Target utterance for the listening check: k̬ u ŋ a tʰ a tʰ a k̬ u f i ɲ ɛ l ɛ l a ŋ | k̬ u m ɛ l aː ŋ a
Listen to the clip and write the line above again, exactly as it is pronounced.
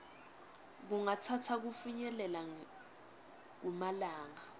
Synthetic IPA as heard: k̬ u ŋ a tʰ a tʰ a k̬ u f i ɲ ɛ l ɛ l a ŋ | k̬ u m a l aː ŋ a

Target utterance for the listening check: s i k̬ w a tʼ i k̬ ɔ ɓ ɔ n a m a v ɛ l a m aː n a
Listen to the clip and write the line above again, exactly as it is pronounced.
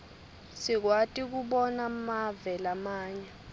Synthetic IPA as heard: s i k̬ w a tʼ i k̬ u ɓ ɔ n a m a v ɛ l a m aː ɲ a

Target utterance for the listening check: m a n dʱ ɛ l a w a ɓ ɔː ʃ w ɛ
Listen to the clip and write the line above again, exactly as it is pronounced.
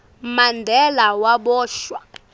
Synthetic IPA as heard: m a n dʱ ɛ l a w a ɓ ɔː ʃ w a

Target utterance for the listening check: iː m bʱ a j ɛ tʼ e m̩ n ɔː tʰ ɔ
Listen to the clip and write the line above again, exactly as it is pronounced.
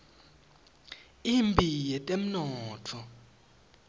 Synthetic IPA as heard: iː m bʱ i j ɛ tʼ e m̩ n ɔː tʰ ɔ

